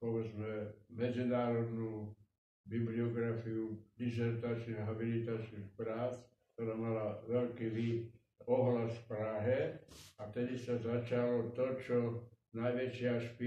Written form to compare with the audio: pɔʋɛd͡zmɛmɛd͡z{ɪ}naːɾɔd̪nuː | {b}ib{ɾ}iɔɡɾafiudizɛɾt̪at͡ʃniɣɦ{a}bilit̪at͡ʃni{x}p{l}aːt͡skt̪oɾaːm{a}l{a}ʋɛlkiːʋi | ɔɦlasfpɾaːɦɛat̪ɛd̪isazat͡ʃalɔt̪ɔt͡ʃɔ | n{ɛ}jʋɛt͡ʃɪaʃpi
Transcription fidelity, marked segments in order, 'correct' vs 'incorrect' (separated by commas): incorrect, correct, incorrect, correct, correct, incorrect, correct, correct, incorrect